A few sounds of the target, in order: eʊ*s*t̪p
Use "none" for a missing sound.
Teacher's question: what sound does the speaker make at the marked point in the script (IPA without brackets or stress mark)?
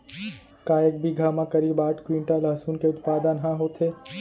none